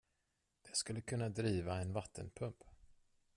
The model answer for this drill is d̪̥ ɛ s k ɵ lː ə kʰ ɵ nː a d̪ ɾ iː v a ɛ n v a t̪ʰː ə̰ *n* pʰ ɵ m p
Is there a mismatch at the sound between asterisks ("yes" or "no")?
no